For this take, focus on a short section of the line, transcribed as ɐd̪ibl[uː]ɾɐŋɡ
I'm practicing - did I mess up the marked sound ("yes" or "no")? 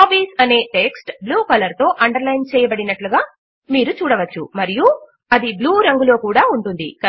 no